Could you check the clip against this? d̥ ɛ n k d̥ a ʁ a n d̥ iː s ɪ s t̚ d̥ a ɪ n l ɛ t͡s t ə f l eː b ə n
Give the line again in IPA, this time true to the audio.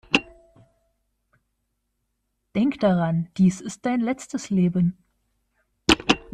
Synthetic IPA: d̥ ɛ ŋ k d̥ a ʁ a n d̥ iː s ɪ s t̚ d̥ a ɪ n l ɛ t͡s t ə s l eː b ə n